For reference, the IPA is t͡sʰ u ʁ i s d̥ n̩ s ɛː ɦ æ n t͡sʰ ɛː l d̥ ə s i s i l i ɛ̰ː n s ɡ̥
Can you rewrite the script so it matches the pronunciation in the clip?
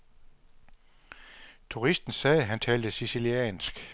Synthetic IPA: t͡sʰ u ʁ i s d̥ n̩ s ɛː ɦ æ n t͡sʰ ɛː l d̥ ə s i s i l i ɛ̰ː n s ɡ̥